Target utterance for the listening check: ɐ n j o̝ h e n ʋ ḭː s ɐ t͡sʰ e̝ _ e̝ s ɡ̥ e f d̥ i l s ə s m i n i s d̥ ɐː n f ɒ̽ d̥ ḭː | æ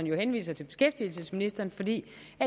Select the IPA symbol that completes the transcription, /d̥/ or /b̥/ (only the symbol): b̥